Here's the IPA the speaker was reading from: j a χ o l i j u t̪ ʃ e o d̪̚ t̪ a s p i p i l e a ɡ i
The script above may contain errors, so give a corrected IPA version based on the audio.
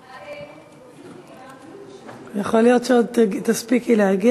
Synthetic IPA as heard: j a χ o l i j o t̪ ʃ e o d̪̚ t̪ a s p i k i l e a ɡ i